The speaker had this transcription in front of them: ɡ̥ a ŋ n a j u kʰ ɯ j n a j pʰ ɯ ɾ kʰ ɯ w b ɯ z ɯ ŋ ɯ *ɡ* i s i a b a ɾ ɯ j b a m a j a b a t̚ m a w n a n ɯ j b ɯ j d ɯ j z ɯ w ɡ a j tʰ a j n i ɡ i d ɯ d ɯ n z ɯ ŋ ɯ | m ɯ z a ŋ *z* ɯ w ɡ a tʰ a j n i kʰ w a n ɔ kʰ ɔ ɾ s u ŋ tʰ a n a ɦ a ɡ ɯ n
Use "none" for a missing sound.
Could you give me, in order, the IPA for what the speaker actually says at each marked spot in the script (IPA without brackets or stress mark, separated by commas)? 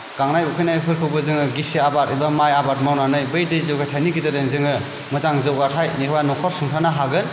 ɡ, z